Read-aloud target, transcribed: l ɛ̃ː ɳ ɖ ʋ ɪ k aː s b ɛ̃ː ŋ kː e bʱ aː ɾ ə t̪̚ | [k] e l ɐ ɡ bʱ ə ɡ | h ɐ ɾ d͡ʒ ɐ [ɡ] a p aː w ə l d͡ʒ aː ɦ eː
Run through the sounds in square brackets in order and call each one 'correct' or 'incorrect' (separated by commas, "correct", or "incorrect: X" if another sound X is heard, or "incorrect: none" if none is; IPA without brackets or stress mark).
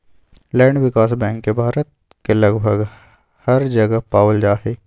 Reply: correct, correct